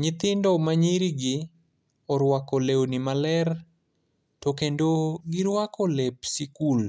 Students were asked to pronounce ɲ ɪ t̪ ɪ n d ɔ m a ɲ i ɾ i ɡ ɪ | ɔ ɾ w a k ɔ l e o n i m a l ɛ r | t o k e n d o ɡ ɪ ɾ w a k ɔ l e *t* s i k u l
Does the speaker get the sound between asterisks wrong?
yes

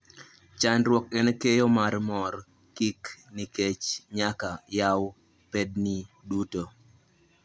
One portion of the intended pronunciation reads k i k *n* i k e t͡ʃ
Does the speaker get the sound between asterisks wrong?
no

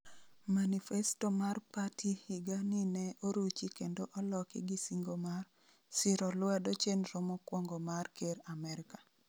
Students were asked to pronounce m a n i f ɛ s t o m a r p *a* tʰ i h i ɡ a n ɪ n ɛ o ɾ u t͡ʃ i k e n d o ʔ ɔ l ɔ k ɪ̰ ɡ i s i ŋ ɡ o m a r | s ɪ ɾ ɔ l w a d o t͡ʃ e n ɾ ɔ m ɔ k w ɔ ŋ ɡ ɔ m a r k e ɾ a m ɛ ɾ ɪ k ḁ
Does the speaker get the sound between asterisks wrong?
no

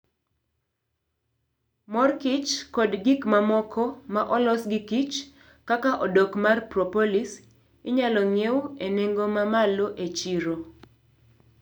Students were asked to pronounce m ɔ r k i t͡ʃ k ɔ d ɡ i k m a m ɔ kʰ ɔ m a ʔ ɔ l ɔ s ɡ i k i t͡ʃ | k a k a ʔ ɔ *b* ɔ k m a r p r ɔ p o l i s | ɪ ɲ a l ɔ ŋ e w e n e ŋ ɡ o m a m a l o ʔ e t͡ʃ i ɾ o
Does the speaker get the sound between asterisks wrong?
yes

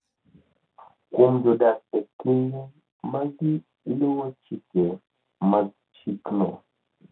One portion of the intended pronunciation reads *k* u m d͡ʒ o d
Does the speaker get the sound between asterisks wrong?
no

